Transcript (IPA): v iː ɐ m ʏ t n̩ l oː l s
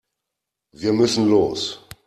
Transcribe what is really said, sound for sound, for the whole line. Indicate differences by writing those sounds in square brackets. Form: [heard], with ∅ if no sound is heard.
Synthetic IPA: v iː ɐ m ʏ [s] n̩ l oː [∅] s